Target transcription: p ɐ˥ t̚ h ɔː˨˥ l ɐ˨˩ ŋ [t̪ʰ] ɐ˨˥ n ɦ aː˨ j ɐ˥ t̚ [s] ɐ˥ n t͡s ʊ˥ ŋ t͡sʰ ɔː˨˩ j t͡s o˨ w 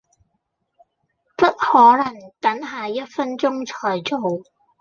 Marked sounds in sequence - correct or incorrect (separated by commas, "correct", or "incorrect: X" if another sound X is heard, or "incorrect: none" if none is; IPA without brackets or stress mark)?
incorrect: t̪, incorrect: f